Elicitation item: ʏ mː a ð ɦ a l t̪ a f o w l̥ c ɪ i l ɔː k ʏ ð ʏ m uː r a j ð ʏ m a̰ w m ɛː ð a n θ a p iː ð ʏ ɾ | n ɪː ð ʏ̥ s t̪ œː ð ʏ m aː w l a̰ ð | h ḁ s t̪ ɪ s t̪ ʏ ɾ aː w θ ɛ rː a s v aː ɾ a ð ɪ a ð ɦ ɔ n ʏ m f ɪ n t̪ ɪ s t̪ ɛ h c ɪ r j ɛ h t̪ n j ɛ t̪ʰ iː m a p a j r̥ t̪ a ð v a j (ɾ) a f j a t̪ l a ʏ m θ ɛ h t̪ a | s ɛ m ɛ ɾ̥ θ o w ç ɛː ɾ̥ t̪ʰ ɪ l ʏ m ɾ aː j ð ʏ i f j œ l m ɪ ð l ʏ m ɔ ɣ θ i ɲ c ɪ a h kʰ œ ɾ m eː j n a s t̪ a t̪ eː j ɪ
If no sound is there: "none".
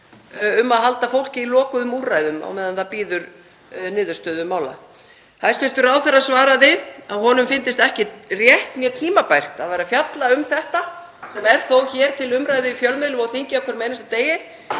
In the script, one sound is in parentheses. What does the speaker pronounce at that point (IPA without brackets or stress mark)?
ɾ